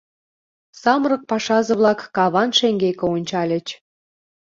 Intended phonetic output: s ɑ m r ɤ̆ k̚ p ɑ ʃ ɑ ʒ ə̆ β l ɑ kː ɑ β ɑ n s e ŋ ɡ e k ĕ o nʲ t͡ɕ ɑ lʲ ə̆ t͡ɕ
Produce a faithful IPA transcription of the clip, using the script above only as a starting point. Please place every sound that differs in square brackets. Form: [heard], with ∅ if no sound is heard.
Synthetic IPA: s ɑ m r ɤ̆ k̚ p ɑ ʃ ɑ [z] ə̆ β l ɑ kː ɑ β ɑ n [ʃ] e ŋ ɡ e k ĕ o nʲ t͡ɕ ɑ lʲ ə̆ t͡ɕ